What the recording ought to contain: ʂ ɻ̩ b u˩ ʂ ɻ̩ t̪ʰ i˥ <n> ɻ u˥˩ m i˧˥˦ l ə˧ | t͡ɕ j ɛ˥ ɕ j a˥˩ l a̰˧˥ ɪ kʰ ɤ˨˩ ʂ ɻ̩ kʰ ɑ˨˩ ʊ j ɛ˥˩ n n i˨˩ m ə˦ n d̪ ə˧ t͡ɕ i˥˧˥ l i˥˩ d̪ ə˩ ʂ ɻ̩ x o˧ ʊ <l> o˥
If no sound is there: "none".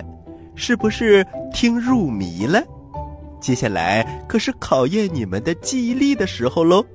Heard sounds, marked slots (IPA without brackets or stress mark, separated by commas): ŋ, l